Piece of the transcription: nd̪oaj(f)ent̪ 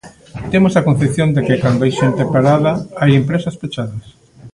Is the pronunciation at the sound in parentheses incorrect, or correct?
incorrect